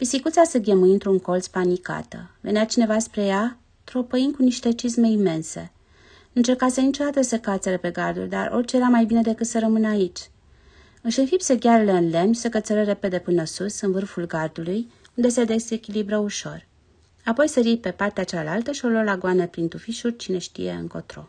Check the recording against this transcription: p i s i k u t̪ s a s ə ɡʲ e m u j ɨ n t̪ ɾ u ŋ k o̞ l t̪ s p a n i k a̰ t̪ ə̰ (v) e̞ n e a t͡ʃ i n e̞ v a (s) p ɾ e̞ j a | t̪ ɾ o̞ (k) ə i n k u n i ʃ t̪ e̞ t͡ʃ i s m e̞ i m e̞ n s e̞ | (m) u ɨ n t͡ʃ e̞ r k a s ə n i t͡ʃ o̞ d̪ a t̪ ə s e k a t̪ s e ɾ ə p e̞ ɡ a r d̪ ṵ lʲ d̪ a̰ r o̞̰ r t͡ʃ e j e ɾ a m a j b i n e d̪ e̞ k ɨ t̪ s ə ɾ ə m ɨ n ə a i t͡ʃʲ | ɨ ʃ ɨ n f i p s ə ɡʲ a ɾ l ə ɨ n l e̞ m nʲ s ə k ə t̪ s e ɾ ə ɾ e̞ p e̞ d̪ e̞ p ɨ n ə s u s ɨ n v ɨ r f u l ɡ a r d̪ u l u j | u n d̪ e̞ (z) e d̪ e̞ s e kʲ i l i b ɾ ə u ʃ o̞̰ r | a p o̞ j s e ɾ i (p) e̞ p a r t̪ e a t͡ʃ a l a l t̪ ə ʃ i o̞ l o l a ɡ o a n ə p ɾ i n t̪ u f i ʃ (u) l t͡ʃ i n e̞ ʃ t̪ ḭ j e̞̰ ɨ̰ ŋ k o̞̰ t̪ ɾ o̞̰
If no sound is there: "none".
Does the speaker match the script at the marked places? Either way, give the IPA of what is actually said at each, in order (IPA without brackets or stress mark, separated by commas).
v, s, p, n, s, p, u